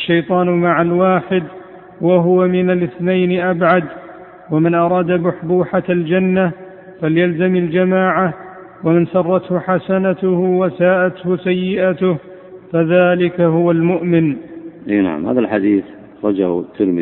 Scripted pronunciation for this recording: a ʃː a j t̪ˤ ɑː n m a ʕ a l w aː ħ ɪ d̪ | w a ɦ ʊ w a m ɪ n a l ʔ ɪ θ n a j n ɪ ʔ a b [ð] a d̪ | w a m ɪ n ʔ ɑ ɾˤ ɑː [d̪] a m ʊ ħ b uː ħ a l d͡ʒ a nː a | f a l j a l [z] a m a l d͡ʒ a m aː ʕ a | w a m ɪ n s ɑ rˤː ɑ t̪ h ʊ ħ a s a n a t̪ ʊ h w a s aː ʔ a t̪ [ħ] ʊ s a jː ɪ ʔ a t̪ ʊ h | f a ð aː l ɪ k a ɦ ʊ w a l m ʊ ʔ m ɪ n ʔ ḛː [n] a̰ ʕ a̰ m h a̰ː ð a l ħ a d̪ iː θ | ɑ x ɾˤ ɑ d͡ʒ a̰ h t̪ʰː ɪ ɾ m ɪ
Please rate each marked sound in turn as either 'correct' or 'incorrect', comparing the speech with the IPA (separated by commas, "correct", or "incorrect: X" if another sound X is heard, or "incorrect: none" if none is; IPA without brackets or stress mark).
incorrect: ʕ, correct, correct, incorrect: h, correct